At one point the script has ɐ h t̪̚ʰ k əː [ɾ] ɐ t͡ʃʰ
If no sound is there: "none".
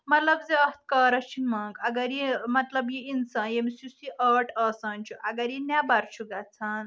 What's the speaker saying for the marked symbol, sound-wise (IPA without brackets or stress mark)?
ɾ